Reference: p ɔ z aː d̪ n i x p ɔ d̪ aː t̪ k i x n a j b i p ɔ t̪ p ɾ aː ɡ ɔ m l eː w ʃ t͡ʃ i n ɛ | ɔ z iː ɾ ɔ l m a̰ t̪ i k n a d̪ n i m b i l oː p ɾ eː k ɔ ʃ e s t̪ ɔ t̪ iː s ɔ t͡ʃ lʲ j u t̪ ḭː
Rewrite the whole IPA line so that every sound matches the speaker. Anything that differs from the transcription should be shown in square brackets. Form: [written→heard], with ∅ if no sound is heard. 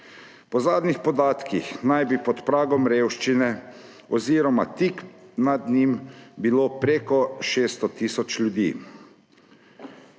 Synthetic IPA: p ɔ z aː d̪ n i x p ɔ d̪ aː t̪ k i x n a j b i p ɔ t̪ p ɾ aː ɡ ɔ m [l→ɾ] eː w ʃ t͡ʃ i n ɛ | ɔ z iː ɾ ɔ [l→∅] m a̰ t̪ i k n a d̪ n i m b i l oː p ɾ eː k ɔ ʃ e s t̪ ɔ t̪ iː s ɔ t͡ʃ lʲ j u [t̪→d̪] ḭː